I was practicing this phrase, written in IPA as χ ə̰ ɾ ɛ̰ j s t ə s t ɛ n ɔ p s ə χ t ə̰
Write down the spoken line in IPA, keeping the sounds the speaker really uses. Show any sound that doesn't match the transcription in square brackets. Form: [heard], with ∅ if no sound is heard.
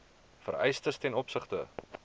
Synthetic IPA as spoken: [f] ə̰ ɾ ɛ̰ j s t ə s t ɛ n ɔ p s ə χ t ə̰